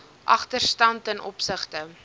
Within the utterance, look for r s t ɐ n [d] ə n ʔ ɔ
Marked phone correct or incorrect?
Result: incorrect